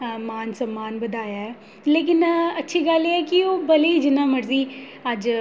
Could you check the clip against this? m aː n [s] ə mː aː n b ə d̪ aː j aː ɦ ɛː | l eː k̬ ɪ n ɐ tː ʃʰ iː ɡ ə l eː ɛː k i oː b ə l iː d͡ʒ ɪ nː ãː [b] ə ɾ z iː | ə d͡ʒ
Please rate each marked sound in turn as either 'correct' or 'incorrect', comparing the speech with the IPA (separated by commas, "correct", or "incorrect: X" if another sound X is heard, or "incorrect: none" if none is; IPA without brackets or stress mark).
correct, incorrect: m